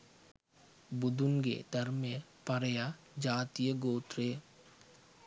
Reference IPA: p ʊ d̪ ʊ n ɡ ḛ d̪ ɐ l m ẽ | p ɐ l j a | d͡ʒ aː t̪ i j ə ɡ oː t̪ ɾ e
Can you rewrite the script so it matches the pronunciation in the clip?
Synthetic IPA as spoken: b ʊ d̪ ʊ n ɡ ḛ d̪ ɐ ɾ m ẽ | p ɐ ɾ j a | d͡ʒ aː t̪ i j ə ɡ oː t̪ ɾ e